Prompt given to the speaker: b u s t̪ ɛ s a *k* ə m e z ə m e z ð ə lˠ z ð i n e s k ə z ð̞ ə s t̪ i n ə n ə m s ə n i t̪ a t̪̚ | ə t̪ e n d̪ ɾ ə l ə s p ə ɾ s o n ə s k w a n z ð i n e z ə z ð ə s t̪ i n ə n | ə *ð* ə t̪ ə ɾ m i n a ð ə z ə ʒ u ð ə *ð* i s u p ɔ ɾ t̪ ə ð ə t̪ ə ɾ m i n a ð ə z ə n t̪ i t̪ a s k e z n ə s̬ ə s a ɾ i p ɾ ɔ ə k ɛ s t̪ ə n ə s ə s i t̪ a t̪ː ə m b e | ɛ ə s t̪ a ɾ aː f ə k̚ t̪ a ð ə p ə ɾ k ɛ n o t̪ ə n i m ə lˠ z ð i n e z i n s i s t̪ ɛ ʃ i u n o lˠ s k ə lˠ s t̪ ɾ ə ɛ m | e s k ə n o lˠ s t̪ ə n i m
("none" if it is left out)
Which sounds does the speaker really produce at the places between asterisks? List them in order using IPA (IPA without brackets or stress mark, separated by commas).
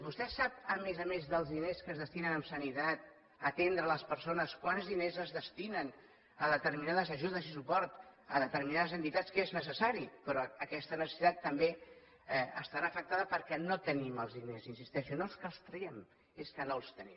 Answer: p, ð, z